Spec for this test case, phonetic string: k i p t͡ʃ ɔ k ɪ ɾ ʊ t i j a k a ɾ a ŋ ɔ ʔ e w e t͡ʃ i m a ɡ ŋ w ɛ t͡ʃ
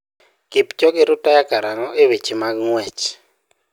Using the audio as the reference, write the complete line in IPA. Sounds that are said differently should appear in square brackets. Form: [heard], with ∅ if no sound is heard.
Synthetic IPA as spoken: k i p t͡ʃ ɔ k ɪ ɾ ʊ t [a] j a k a ɾ a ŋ ɔ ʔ e w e t͡ʃ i m a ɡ ŋ w ɛ t͡ʃ

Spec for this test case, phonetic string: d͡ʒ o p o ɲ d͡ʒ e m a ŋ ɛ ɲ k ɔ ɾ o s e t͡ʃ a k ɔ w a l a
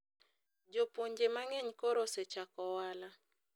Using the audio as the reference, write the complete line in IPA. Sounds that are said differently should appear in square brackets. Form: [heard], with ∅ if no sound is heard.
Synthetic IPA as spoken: d͡ʒ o p o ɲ d͡ʒ e m a ŋ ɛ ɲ k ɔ ɾ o s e t͡ʃ a k ɔ w a l a

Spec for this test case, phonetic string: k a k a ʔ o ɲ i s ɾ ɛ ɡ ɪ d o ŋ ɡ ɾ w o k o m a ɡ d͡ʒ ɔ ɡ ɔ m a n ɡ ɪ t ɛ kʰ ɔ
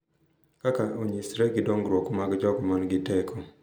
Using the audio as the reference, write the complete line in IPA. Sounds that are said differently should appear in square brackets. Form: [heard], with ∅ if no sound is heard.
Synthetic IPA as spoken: k a k a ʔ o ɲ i s ɾ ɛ ɡ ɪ d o ŋ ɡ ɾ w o k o m a ɡ d͡ʒ ɔ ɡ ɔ m a n ɡ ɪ t ɛ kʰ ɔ

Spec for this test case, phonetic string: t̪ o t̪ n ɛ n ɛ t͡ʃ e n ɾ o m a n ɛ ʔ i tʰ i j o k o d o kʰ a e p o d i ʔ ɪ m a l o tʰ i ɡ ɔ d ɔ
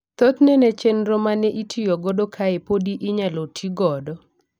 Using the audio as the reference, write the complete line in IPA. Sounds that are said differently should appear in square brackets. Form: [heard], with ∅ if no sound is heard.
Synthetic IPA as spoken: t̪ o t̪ n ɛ n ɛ t͡ʃ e n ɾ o m a n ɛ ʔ i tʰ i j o [ɡ] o d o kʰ a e p o d i ʔ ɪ [ɲ] a l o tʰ i ɡ ɔ d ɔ

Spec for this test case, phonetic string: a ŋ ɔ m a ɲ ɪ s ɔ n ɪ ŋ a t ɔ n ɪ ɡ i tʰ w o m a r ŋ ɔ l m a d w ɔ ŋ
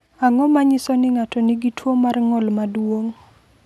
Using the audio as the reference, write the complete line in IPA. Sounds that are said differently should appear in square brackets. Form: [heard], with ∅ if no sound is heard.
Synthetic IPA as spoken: a ŋ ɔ m a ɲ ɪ s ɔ n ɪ ŋ a t ɔ n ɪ ɡ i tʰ w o m a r ŋ ɔ l m a d w [o] ŋ

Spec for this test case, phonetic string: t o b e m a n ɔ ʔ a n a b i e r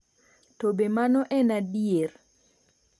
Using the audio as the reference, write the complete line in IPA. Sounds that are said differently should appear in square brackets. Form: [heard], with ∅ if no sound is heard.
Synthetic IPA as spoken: t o b e m a n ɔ ʔ [ɛ] n a [d] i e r

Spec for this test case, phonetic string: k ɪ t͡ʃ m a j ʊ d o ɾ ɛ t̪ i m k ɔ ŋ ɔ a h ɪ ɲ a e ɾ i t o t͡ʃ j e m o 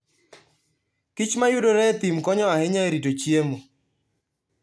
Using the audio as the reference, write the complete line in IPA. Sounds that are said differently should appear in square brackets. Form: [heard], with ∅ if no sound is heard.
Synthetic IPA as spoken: k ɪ t͡ʃ m a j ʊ d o ɾ ɛ t̪ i m k ɔ [ɲ] ɔ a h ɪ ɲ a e ɾ i t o t͡ʃ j e m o

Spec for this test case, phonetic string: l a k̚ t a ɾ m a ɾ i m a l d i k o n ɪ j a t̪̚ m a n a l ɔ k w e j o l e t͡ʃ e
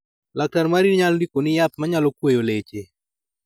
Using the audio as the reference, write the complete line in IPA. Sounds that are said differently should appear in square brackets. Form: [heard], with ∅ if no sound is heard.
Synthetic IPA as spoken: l a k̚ t a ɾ m a ɾ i [ɲ] a l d i k o n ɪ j a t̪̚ m a [ɲ] a l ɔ k w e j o l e t͡ʃ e

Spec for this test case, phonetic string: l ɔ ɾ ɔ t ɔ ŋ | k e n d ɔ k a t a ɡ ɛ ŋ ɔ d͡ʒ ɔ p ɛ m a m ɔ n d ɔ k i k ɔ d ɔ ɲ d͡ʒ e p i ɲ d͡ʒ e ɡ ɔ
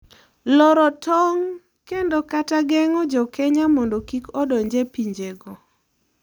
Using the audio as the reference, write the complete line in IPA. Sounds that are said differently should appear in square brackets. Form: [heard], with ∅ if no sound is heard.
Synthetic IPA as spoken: l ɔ ɾ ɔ t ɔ ŋ | k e n d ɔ k a t a ɡ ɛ ŋ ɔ d͡ʒ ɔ [k] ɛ [ɲ] a m ɔ n d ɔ k i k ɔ d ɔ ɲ d͡ʒ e p i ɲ d͡ʒ e ɡ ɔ

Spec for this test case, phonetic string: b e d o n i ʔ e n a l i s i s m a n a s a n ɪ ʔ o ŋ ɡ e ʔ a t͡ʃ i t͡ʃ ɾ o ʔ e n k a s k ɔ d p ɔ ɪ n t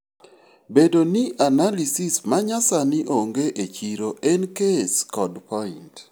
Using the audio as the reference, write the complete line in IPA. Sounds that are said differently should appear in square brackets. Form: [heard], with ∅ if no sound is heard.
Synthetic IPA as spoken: b e d o n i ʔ [a] n a l i s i s m a [ɲ] a s a n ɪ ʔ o ŋ ɡ e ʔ [e] t͡ʃ i [∅] ɾ o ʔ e n k [e] s k ɔ d p ɔ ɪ n t

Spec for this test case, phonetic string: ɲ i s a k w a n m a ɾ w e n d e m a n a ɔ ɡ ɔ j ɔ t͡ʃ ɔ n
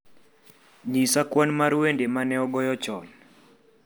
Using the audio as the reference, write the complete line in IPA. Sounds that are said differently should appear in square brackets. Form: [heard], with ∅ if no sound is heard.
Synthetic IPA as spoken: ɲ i s a k w a n m a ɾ w e n d e m a n [ɛ] ɔ ɡ ɔ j ɔ t͡ʃ ɔ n

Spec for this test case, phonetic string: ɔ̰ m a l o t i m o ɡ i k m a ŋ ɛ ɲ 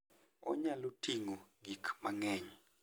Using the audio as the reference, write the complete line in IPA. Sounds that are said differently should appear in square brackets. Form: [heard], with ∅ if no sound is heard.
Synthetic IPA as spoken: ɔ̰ [ɲ] a l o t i [ŋ] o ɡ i k m a ŋ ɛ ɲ

